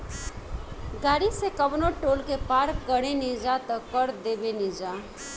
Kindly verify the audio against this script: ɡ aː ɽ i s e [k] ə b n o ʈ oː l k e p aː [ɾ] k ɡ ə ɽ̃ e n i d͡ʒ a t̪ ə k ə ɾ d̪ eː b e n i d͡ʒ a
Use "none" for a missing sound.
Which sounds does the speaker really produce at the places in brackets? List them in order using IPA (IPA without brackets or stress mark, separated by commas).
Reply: k, ɾ